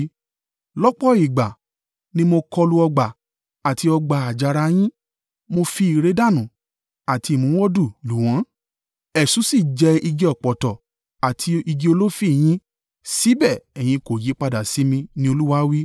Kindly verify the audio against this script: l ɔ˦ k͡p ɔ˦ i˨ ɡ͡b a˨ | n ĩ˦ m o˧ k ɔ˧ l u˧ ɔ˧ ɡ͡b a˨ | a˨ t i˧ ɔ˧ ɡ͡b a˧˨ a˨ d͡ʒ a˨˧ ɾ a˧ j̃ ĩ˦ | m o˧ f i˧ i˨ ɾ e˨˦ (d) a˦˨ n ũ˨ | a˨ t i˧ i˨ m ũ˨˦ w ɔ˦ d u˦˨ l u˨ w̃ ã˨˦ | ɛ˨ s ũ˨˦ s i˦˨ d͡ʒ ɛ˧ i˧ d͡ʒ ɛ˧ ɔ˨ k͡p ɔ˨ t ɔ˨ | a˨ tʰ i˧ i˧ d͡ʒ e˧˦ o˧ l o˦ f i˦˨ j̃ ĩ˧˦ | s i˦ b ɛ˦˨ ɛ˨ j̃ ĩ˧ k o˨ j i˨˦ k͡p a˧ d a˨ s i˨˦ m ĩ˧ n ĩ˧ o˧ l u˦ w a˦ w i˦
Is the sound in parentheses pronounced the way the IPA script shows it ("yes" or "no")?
yes